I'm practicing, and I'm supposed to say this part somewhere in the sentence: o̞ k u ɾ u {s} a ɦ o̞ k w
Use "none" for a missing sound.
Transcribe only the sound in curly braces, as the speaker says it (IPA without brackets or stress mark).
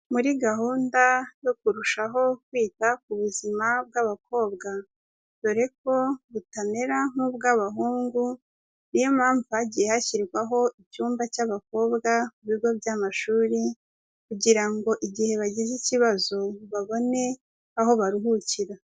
ʃ